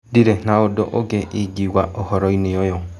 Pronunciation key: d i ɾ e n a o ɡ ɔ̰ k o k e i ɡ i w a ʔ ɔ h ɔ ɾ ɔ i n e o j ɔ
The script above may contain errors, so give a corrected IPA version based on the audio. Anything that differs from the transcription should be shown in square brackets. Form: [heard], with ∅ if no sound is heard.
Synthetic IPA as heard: d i ɾ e n a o [d] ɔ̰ [ʔ] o [ɡ] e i ɡ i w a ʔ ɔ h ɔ ɾ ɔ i n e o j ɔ

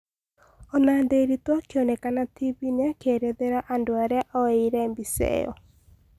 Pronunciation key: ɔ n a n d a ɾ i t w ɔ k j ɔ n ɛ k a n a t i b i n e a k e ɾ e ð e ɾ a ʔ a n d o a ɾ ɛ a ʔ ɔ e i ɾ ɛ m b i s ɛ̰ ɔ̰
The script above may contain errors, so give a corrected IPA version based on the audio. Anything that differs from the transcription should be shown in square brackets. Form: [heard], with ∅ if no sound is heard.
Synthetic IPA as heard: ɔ n a n d [e] ɾ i t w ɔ k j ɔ n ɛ k a n a t i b i n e a k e ɾ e ð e ɾ a ʔ a n d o a ɾ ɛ a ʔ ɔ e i ɾ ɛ m b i s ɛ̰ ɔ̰

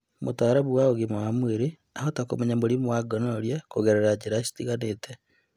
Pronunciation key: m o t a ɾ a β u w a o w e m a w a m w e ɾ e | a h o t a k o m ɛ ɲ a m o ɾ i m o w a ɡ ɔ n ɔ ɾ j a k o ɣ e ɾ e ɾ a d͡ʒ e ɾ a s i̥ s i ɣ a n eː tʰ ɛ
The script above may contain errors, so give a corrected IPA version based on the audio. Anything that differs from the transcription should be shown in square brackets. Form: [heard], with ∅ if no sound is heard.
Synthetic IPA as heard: m o t a ɾ a β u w a o [ɣ] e m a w a m w e ɾ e | a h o t a k o m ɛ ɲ a m o ɾ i m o w a ɡ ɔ n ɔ ɾ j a k o ɣ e ɾ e ɾ a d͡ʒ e ɾ a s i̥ [t] i ɣ a n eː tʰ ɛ

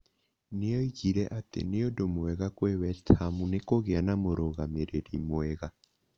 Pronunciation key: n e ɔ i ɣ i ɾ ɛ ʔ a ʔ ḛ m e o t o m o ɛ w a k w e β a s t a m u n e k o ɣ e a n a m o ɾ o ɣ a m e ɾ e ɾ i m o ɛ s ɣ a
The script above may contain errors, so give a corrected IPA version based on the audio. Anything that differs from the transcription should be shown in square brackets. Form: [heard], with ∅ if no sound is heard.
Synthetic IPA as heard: n e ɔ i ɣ i ɾ ɛ ʔ a [t] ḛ [n] e o [d] o m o ɛ [ɣ] a k w e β [ɛ] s t a m u n e k o ɣ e a n a m o ɾ o ɣ a m e ɾ e ɾ i m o ɛ [∅] ɣ a

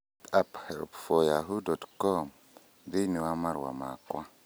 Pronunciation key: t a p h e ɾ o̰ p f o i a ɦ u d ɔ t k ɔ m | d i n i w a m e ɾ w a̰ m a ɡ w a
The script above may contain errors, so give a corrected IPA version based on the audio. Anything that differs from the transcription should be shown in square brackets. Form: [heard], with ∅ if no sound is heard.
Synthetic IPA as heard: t a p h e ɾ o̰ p f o [j] a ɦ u d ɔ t k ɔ m | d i n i w a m [a] ɾ w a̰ m a [k] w a

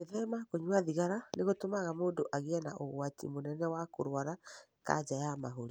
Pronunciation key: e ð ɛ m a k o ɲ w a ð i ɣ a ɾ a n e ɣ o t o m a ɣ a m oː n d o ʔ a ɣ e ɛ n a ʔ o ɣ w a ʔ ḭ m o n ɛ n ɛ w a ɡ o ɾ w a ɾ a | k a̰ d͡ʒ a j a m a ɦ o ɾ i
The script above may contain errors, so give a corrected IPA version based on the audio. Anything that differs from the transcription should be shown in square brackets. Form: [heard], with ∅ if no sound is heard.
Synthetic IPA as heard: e ð ɛ m a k o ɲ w a ð i ɣ a ɾ a n e ɣ o t o m a ɣ a m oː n d o ʔ a ɣ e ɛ n a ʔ o ɣ w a [t] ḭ m o n ɛ n ɛ w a [k] o ɾ w a ɾ a | k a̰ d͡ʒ a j a m a ɦ o ɾ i

